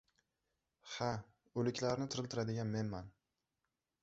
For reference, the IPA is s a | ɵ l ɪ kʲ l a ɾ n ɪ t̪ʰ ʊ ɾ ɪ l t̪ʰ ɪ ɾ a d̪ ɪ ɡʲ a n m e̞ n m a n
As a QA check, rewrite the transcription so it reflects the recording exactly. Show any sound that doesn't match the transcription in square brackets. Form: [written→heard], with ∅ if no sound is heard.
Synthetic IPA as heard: [s→h] a | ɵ l ɪ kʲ l a ɾ n ɪ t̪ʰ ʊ ɾ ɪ l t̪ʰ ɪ ɾ a d̪ ɪ ɡʲ a n m e̞ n m a n